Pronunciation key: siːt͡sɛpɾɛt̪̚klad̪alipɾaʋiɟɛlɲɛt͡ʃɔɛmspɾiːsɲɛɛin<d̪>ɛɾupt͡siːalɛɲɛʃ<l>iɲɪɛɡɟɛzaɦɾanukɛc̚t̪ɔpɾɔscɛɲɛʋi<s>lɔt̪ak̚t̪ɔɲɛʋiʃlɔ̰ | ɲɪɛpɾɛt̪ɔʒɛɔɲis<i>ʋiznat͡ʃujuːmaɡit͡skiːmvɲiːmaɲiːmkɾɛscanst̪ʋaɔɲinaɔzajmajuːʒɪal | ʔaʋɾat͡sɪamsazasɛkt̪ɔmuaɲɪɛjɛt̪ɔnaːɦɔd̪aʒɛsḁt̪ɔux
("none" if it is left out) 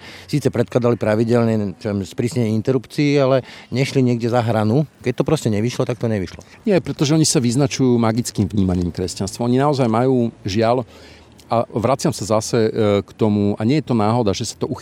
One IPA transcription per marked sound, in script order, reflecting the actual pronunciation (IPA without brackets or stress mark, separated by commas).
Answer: t̪, l, ʃ, a